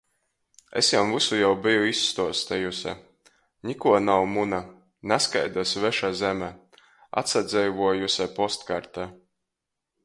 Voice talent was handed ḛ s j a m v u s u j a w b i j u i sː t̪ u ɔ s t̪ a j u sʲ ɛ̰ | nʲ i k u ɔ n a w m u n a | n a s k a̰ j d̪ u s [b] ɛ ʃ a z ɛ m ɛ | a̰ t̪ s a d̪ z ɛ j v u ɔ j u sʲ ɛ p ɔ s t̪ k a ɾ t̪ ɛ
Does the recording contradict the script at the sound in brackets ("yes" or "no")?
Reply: yes